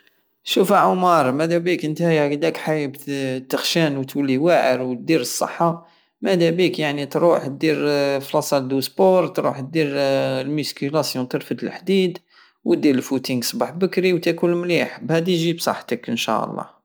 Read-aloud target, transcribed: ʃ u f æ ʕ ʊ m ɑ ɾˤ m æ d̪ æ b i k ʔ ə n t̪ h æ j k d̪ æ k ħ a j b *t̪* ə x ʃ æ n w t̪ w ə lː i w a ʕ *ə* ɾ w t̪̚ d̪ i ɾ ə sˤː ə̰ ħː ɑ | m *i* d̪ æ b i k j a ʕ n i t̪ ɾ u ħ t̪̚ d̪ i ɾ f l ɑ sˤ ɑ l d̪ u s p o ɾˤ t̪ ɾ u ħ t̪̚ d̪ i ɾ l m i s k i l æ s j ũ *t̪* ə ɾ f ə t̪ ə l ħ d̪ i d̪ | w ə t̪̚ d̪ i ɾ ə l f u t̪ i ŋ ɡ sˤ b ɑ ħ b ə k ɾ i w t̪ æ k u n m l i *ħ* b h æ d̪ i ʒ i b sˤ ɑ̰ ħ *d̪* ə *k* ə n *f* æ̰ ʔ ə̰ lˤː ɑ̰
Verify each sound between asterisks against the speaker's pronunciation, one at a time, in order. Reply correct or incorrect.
correct, correct, incorrect: æ, correct, correct, incorrect: t̪, correct, incorrect: ʃ

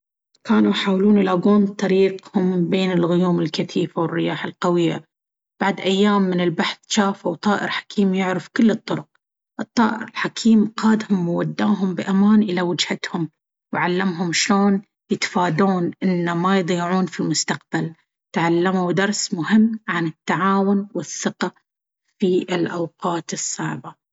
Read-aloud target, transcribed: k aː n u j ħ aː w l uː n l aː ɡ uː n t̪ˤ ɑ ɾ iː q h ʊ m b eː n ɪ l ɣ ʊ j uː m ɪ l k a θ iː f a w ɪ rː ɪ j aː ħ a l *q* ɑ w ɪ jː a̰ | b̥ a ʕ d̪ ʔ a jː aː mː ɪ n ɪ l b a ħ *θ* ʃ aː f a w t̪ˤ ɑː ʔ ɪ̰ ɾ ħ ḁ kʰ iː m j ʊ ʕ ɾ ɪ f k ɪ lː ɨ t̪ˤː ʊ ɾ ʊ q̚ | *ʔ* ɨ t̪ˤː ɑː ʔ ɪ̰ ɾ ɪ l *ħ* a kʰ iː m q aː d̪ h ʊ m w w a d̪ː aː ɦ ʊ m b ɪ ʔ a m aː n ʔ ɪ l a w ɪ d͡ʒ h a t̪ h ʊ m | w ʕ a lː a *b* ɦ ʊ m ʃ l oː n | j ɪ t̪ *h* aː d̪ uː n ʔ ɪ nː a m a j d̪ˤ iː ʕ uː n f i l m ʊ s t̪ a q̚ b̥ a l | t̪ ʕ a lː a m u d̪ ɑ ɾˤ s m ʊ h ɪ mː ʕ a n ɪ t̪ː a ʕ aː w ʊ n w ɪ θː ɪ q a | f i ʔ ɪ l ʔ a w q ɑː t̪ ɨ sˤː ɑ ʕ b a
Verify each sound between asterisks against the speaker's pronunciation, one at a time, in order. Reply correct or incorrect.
correct, correct, correct, correct, incorrect: m, incorrect: f

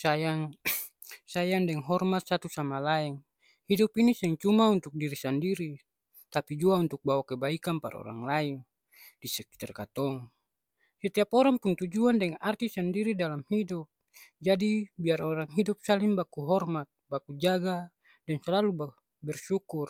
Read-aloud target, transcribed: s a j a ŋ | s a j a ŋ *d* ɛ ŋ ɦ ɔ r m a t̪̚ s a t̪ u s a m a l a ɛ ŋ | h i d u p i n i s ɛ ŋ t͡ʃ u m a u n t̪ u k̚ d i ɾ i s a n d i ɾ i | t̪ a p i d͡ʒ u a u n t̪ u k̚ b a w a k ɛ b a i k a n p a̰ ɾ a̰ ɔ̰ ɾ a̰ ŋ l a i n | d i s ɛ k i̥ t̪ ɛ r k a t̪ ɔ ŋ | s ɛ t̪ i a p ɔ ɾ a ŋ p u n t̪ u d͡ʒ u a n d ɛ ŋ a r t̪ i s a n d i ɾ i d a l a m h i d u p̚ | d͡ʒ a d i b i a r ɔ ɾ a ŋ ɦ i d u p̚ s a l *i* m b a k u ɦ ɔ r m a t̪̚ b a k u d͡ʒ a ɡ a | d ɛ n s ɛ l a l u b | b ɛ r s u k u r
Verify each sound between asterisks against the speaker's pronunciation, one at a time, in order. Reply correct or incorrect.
correct, correct

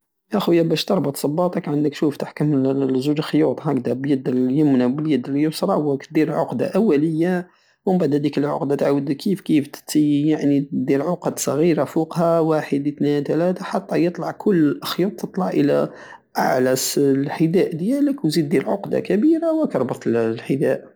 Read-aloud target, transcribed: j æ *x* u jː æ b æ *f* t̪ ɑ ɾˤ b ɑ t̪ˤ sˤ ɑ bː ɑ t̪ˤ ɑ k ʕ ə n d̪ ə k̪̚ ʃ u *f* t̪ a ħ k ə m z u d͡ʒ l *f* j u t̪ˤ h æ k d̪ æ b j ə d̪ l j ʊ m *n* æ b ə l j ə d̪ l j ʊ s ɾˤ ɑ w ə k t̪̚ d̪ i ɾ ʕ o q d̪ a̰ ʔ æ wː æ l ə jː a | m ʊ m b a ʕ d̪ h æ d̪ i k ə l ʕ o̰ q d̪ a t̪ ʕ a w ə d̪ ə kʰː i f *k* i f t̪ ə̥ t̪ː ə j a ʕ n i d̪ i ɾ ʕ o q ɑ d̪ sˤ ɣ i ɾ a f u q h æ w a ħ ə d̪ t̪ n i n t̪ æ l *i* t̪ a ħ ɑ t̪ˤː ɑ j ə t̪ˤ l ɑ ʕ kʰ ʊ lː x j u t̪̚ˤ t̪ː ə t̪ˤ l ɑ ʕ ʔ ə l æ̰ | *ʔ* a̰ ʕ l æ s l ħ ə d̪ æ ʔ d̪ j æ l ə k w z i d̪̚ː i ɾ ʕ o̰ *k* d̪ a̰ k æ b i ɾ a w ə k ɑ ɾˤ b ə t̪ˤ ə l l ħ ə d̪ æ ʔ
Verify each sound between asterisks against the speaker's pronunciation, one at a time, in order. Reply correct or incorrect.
correct, incorrect: ʃ, correct, incorrect: x, correct, correct, incorrect: æ, correct, incorrect: q

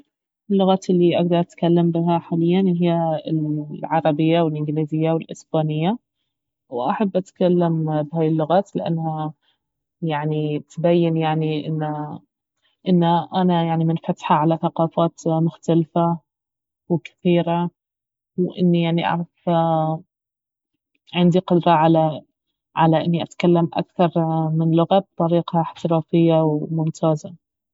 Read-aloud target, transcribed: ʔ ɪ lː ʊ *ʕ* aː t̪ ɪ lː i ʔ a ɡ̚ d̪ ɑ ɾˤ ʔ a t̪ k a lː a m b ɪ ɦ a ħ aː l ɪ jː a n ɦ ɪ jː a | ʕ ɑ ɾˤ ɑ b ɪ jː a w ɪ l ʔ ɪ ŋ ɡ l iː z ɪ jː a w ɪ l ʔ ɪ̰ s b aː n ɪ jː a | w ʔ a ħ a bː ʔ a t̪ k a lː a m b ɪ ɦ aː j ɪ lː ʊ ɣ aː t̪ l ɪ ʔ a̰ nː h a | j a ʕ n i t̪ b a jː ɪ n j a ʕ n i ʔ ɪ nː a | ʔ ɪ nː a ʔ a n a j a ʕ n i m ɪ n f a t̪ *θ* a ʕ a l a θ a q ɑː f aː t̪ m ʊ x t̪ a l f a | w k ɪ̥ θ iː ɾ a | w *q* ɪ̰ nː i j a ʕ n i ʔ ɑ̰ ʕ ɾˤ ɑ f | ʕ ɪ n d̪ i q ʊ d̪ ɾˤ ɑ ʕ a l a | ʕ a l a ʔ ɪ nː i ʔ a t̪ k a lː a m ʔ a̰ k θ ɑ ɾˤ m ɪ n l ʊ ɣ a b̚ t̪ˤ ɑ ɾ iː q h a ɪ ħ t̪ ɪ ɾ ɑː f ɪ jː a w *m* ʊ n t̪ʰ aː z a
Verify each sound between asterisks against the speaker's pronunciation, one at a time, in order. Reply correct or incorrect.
incorrect: ɣ, incorrect: ħ, incorrect: ʔ, correct

